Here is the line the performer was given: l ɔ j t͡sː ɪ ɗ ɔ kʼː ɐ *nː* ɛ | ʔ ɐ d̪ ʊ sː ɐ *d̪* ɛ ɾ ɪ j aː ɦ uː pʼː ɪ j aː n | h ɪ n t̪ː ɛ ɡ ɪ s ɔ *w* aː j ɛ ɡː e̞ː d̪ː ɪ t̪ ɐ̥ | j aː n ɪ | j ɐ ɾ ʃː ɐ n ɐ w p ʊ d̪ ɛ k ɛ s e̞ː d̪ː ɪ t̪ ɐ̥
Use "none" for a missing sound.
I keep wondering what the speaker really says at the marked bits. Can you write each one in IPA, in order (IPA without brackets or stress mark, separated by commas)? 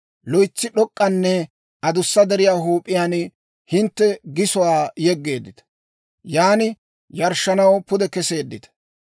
nː, d̪, w